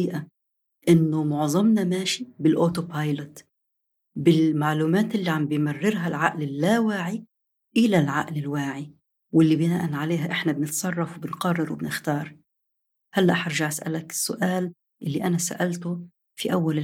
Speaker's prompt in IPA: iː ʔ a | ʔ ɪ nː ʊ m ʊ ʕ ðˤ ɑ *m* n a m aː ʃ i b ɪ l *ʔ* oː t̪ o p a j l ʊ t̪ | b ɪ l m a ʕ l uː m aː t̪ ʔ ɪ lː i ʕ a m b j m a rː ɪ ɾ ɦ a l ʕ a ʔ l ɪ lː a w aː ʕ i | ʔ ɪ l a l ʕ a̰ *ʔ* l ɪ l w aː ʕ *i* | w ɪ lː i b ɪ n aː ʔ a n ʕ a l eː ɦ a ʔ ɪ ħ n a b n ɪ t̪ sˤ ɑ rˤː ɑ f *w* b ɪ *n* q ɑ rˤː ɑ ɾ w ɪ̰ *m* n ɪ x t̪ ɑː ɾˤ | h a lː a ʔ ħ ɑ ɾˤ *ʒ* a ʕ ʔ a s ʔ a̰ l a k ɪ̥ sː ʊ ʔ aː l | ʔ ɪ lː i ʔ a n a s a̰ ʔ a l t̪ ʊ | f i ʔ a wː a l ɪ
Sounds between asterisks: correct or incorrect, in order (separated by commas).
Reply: correct, correct, correct, correct, correct, correct, incorrect, correct